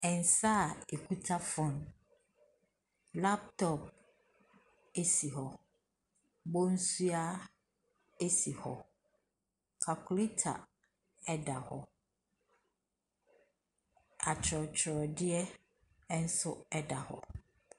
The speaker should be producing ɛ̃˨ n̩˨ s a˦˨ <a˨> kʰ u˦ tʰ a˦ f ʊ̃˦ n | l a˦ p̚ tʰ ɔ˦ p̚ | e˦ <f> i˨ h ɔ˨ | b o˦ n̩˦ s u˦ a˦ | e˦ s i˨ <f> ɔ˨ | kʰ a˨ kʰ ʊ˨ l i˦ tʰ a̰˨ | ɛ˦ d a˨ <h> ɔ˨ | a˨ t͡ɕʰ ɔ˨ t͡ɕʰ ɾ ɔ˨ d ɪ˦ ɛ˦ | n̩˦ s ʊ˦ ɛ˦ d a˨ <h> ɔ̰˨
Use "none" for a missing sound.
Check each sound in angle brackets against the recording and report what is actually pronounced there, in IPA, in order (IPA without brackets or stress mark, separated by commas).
e˨, s, h, h, h